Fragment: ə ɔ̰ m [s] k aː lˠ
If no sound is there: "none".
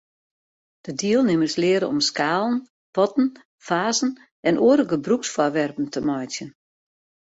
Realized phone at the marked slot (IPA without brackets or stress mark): s